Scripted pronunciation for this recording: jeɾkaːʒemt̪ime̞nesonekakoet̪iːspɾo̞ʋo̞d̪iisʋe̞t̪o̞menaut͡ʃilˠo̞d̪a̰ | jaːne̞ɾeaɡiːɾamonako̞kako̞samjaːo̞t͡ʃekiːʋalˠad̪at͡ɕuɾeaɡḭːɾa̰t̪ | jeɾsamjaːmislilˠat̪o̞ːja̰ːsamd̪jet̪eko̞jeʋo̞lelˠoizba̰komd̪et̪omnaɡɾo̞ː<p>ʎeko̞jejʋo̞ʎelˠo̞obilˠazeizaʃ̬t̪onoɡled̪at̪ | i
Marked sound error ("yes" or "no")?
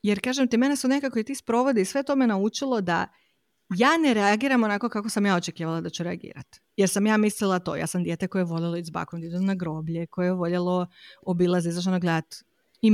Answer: yes